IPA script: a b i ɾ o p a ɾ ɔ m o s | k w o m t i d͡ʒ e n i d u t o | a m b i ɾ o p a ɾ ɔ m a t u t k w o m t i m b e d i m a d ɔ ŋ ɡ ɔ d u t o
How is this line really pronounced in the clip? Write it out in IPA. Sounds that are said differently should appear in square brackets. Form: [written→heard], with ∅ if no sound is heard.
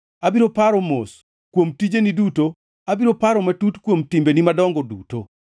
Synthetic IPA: a b i ɾ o p a ɾ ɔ m o s | k w o m t i d͡ʒ e n i d u t o | a [m→∅] b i ɾ o p a ɾ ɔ m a t u t k w o m t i m b e [d→n] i m a d ɔ ŋ ɡ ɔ d u t o

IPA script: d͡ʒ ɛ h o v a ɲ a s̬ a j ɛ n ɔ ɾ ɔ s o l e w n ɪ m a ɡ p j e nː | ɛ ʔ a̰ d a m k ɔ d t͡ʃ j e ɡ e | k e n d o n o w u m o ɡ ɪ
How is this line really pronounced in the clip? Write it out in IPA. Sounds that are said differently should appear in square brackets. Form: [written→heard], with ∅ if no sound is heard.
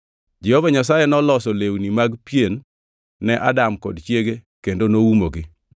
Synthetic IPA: d͡ʒ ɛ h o v a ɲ a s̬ a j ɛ n ɔ [ɾ→l] ɔ s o l e w n [ɪ→i] m a ɡ p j e nː | ɛ ʔ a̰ d a m k ɔ d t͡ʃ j e ɡ e | k e n d o n o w u m o ɡ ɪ

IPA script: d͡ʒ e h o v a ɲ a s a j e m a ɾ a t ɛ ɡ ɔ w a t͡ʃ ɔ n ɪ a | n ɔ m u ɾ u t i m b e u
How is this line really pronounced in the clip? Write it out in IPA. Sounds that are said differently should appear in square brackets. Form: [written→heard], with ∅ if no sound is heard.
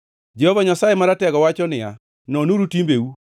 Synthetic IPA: d͡ʒ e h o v a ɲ a s a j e m a ɾ a t ɛ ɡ ɔ w a t͡ʃ ɔ n ɪ a | n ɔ [m→n] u ɾ u t i m b e u

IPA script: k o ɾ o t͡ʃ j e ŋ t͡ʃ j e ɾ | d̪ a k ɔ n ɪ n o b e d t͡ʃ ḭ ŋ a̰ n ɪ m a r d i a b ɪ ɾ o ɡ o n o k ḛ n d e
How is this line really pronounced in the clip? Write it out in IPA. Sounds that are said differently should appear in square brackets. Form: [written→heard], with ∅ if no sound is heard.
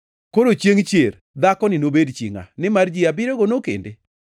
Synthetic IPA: k o ɾ o t͡ʃ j e ŋ t͡ʃ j e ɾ | d̪ a k ɔ n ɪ n o b e d t͡ʃ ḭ ŋ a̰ n ɪ m a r [d→d͡ʒ] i a b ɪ ɾ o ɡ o n o k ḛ n d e

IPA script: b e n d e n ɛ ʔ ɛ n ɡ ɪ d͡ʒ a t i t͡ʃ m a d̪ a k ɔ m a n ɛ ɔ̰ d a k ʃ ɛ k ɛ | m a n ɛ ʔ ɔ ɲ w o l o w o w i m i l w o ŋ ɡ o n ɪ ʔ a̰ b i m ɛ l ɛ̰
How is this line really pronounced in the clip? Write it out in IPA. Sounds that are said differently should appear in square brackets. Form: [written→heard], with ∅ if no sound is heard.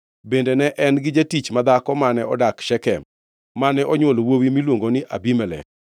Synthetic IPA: b e n d e n ɛ ʔ ɛ n ɡ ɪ d͡ʒ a t i t͡ʃ m a d̪ a k ɔ m a n ɛ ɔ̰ d a k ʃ ɛ k ɛ | m a n ɛ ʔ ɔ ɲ w o l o w o w i m i l w o ŋ ɡ o n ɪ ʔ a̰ b i m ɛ l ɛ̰

